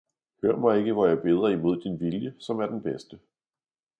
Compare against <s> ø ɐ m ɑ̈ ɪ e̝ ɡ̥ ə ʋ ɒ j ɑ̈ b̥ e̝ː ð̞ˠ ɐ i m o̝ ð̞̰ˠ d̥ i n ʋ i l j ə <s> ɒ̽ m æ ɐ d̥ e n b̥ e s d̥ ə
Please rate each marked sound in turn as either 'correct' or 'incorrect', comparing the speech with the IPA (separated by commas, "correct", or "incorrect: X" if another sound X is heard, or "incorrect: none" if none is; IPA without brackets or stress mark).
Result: incorrect: h, correct